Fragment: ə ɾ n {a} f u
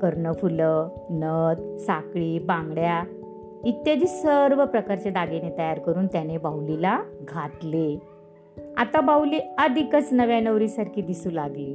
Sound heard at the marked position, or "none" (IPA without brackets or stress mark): ə